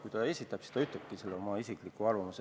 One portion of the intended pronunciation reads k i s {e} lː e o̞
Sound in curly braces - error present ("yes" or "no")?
no